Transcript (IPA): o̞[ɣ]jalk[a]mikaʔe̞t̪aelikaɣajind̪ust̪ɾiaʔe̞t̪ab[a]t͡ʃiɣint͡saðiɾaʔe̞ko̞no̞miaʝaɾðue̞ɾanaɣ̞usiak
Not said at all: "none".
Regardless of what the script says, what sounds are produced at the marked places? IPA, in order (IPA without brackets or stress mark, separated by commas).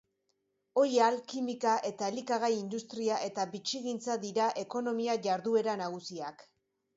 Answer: none, i, i